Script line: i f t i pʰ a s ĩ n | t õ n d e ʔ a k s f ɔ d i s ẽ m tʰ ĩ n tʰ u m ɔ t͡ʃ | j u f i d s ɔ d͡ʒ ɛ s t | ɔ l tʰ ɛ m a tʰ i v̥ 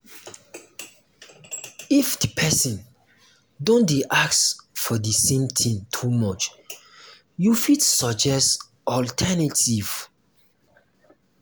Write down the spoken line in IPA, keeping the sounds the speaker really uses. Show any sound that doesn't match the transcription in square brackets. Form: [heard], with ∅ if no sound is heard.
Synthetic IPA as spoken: i f [d] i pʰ [ɛ] s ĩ n | [d] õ n d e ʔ a k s f ɔ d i s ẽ m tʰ ĩ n tʰ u m ɔ t͡ʃ | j u f i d s ɔ d͡ʒ ɛ s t | ɔ l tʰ ɛ [n] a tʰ i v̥